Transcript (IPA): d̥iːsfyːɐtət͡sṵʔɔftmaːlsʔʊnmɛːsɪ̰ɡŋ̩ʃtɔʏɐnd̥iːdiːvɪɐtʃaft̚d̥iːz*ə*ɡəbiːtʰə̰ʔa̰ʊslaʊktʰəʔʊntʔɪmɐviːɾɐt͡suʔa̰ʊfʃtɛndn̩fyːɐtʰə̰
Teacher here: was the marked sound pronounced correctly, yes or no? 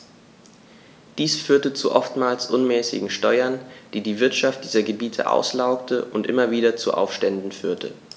no